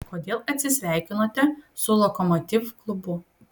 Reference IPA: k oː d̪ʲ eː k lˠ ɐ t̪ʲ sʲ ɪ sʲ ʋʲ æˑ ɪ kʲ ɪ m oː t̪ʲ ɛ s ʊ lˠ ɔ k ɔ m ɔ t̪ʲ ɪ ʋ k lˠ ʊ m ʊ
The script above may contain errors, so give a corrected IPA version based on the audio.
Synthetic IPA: k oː d̪ʲ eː lˠ ɐ t̪ʲ sʲ ɪ sʲ ʋʲ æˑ ɪ kʲ ɪ n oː t̪ʲ ɛ s ʊ lˠ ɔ k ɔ m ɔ t̪ʲ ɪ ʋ k lˠ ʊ b ʊ